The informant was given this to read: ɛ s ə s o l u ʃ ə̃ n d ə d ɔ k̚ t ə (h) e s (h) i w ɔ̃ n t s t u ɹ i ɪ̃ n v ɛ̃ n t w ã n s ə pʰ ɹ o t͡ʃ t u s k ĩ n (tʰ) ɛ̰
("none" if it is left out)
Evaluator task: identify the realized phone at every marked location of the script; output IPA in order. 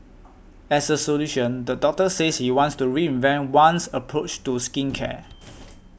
s, h, kʰ

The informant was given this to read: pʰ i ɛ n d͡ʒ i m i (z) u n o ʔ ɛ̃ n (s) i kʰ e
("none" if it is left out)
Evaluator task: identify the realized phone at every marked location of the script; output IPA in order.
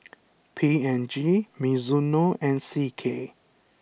z, s

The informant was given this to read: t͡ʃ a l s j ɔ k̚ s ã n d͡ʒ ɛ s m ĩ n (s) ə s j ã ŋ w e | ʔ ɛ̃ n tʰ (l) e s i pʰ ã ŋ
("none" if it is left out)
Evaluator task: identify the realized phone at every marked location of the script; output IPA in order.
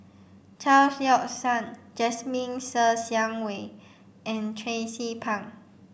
s, ɹ

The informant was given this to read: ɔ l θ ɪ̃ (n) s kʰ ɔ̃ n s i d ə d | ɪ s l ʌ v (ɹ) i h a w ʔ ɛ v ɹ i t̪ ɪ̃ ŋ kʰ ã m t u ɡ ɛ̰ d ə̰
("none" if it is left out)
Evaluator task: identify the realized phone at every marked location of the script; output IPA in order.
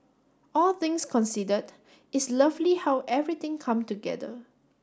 ŋ, l

